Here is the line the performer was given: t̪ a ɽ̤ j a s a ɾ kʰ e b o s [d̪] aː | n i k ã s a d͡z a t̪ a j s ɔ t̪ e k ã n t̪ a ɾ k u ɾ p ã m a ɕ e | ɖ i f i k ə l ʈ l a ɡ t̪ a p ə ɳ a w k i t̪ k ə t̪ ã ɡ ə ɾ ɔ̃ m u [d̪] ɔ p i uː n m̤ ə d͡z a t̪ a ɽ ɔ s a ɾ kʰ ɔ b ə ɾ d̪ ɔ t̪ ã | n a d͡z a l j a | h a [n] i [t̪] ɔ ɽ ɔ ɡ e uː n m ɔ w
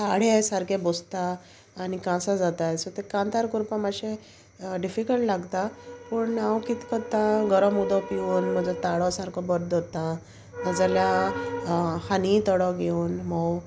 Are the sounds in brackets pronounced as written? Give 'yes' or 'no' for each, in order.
no, yes, yes, yes

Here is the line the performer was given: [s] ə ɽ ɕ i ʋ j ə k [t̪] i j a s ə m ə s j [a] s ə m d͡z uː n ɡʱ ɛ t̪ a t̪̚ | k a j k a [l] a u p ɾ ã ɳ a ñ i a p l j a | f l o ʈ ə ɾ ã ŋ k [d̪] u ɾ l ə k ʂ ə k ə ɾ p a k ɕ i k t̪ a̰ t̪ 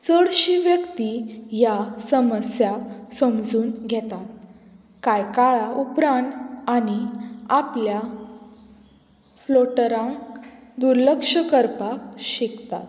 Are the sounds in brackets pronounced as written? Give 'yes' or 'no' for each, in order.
no, yes, yes, no, yes

